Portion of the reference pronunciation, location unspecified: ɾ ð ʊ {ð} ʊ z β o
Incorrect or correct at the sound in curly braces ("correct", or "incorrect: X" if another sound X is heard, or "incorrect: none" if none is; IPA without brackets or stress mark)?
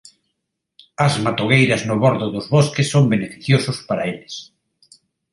correct